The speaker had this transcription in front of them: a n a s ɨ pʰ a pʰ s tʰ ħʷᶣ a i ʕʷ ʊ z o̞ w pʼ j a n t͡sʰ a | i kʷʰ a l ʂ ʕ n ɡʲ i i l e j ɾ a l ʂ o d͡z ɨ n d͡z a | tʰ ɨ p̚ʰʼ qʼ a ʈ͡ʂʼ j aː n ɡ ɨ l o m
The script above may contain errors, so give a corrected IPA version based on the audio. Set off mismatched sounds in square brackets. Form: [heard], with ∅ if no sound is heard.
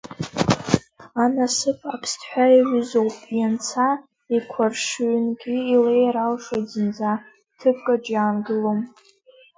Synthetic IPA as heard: a n a s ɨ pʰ a pʰ s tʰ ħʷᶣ a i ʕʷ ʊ z o̞ w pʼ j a n t͡sʰ a | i kʷʰ a [r] ʂ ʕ n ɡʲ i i l e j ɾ a l ʂ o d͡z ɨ n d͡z a | tʰ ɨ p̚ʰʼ [kʼ] a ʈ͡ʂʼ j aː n ɡ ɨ l o m